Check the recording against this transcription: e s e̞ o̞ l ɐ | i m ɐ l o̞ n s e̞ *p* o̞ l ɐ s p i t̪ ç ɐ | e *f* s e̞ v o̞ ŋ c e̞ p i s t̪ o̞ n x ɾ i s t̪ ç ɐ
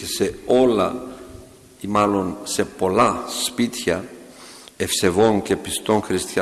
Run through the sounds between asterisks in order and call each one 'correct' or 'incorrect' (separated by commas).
correct, correct